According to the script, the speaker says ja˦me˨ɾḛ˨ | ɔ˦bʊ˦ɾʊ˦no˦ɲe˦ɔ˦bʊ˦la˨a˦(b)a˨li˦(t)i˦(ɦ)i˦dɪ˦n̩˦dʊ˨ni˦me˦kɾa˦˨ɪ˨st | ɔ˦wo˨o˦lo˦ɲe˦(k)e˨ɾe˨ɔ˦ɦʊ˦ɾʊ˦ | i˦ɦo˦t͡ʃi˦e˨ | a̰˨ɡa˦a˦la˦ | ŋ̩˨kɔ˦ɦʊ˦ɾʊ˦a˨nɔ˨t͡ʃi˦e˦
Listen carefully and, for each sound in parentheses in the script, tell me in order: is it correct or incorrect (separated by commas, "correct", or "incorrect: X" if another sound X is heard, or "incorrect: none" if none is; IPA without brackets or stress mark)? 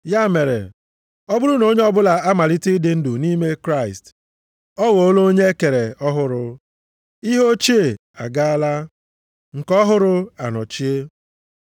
incorrect: m, correct, incorrect: none, correct